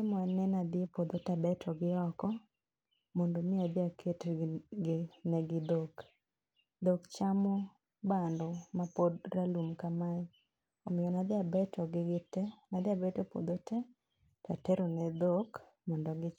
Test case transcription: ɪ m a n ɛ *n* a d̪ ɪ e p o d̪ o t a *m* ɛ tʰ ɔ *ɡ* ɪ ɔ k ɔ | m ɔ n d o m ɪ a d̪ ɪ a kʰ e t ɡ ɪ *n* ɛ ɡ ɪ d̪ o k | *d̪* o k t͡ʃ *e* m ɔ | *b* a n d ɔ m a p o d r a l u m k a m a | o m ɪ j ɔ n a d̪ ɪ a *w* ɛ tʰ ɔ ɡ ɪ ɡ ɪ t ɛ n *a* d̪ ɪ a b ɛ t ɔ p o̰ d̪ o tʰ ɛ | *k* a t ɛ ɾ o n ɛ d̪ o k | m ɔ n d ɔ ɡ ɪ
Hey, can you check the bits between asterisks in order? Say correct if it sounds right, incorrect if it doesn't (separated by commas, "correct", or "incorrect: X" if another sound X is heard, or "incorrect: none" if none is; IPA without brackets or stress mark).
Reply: correct, incorrect: b, correct, correct, correct, incorrect: a, correct, incorrect: b, correct, incorrect: t